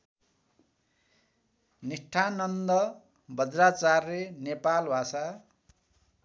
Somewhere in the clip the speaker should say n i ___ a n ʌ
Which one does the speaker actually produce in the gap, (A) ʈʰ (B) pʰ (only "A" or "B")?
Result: A